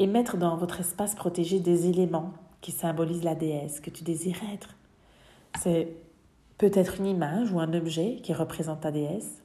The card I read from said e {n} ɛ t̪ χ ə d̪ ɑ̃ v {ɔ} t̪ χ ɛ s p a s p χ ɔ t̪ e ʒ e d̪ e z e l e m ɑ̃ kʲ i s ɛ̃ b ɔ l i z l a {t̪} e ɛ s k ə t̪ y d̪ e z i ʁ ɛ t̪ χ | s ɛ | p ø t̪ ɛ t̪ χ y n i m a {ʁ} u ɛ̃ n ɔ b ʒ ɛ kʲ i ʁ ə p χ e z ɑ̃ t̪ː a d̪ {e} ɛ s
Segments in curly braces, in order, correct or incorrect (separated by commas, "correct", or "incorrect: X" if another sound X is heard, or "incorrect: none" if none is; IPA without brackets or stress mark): incorrect: m, correct, incorrect: d̪, incorrect: ʒ, correct